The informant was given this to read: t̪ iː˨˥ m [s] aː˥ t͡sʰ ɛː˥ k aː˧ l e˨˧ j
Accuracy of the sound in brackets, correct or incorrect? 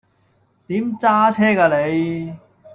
incorrect